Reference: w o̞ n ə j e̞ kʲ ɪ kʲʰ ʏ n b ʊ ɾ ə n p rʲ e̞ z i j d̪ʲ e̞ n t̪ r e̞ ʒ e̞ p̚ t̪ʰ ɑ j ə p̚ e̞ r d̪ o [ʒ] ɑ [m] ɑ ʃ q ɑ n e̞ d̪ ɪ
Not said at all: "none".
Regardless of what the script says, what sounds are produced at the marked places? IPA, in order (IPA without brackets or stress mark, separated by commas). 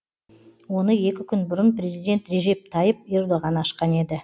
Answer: ʁ, n